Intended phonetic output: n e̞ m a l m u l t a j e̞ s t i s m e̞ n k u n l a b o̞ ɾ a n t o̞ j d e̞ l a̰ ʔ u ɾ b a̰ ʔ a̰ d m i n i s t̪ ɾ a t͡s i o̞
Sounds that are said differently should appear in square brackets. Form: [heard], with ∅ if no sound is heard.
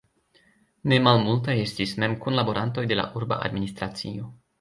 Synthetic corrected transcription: n e̞ m a l m u l t a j e̞ s t i s m e̞ [m] k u n l a b o̞ ɾ a n t o̞ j d e̞ l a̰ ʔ u ɾ b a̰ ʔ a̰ d m i n i s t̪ ɾ a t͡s i o̞